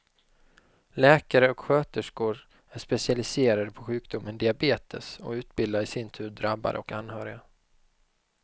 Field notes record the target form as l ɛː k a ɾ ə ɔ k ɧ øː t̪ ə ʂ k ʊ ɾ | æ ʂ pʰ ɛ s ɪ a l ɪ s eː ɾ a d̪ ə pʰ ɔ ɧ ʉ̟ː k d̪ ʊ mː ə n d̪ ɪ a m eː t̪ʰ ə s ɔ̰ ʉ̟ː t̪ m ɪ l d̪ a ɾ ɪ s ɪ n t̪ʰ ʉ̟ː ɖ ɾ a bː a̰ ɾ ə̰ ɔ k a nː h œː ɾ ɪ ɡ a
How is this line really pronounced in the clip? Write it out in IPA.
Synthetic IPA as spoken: l ɛː k a ɾ ə ɔ k ɧ øː t̪ ə ʂ k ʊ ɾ | æ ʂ p ɛ s ɪ a l ɪ s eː ɾ a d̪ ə pʰ ɔ ɧ ʉ̟ː k d̪ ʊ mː ə n d̪ ɪ a b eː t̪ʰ ə s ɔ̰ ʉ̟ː t̪ b ɪ l d̪ a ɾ ɪ s ɪ n t̪ʰ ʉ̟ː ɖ ɾ a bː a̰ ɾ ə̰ ɔ k a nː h œː ɾ ɪ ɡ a